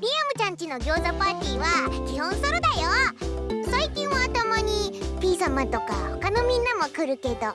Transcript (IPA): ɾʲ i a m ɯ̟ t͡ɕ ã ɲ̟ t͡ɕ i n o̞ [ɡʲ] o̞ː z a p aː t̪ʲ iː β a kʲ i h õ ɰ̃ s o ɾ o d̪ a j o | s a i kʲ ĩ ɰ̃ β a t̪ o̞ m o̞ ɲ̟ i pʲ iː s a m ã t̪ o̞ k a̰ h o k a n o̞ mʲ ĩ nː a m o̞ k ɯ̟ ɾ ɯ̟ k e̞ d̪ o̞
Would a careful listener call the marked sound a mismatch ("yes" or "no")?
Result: no